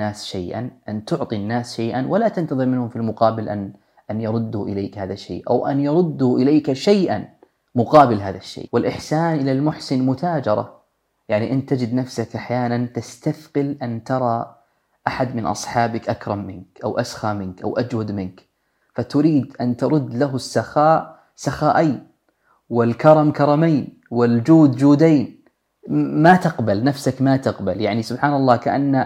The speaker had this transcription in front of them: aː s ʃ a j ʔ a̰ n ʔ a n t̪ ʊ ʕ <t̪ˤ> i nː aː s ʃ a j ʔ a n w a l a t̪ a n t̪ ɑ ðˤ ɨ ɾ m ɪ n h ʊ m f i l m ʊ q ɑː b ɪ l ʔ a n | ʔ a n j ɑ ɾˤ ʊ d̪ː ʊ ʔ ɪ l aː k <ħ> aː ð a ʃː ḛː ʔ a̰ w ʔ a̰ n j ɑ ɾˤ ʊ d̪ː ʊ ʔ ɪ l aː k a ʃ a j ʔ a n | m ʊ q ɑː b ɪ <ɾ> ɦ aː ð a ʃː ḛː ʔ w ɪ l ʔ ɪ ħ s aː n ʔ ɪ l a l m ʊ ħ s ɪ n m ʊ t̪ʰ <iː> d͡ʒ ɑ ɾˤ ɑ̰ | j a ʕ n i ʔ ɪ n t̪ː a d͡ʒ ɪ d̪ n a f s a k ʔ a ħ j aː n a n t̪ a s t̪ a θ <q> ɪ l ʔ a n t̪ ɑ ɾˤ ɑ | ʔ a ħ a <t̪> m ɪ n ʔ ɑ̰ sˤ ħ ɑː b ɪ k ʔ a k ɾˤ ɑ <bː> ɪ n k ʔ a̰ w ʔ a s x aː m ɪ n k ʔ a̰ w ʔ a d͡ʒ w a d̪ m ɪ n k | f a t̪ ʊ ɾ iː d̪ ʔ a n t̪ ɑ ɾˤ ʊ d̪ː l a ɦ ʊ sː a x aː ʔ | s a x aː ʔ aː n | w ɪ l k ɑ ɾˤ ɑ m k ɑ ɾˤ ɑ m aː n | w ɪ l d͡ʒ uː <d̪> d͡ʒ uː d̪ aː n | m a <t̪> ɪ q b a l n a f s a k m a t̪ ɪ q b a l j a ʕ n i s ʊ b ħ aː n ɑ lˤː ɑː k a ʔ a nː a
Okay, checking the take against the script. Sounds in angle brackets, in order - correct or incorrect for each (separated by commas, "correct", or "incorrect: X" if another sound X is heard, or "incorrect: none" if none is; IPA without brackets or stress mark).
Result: correct, incorrect: h, incorrect: l, incorrect: aː, correct, incorrect: d̪, incorrect: mː, correct, correct